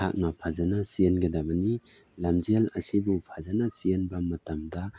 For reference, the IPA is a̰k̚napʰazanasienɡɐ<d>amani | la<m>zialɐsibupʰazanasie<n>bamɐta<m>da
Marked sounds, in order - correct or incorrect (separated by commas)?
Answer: correct, correct, correct, correct